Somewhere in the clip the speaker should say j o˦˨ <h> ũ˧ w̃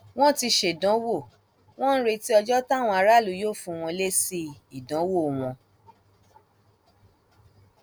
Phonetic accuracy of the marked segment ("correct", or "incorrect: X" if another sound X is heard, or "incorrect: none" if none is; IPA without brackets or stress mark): incorrect: f